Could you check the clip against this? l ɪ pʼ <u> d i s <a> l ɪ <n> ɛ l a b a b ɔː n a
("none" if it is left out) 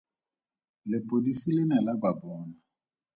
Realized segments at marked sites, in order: o, i, n

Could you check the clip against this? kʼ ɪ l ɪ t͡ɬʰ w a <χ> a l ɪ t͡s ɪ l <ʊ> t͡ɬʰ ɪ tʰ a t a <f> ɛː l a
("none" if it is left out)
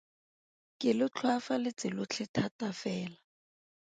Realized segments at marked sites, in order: f, ʊ, f

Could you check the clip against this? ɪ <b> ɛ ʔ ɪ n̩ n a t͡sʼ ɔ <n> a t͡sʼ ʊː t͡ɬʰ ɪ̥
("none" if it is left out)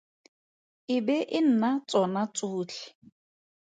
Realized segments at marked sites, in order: b, n

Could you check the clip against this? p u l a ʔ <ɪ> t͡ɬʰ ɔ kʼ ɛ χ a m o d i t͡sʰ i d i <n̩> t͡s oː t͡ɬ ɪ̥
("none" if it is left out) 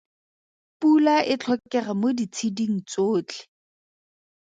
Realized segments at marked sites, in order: ɪ, ŋ̩

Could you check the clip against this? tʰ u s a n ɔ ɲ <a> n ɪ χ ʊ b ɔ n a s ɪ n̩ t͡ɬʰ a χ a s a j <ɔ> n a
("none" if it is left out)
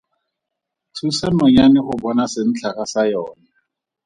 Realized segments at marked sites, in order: a, ɔː

